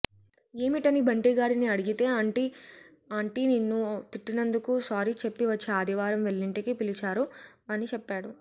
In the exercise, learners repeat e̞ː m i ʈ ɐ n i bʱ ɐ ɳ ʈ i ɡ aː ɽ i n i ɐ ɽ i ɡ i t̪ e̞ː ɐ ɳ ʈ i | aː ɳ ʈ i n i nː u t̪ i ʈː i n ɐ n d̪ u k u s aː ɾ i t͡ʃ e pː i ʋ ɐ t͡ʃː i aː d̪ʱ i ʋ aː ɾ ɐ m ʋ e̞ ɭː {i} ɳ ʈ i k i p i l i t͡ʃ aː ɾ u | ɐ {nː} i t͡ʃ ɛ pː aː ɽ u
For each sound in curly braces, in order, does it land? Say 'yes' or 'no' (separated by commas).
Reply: yes, no